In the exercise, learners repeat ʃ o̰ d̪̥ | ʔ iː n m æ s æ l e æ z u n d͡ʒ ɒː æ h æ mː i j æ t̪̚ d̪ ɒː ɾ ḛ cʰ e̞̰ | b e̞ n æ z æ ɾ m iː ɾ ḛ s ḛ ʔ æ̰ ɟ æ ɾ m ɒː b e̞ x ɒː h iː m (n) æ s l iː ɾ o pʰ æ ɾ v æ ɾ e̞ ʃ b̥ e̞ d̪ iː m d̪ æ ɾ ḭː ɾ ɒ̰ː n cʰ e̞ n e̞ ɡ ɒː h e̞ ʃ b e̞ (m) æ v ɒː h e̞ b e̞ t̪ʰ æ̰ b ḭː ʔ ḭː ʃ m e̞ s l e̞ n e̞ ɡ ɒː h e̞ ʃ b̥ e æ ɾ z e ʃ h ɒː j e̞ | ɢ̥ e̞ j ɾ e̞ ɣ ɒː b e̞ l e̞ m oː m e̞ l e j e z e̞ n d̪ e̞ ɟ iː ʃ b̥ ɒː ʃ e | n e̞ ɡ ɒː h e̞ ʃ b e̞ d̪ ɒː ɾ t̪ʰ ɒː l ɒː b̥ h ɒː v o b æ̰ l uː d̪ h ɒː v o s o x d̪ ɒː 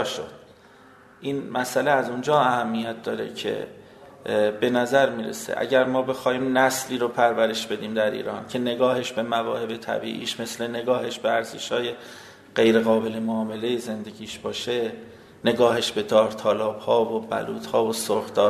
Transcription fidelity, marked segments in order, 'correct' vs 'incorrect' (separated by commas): correct, correct